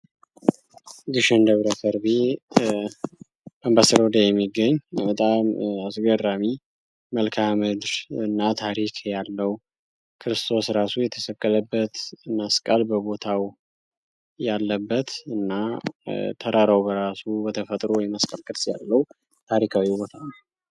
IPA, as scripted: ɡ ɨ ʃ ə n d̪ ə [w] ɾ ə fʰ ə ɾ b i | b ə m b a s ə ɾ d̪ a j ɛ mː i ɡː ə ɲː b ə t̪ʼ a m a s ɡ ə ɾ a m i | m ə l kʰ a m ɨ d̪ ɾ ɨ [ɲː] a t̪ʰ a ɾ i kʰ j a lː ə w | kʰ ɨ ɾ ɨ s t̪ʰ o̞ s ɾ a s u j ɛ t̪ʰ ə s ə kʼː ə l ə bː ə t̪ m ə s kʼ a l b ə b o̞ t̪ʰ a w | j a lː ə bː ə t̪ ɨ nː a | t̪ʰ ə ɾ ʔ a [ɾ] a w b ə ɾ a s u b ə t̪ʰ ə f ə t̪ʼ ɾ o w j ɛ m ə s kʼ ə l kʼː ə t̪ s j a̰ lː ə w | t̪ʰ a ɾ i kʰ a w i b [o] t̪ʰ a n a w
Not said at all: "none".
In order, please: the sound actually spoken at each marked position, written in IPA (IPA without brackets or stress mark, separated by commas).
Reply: β, nː, ɾ, o